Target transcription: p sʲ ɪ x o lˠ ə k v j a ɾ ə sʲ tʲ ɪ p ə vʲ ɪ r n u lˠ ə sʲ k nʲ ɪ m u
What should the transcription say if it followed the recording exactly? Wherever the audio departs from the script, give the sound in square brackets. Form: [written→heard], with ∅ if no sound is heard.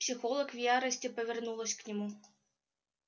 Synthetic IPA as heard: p sʲ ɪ x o lˠ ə k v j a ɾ ə sʲ tʲ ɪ p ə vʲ ɪ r n u lˠ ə sʲ k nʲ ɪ m u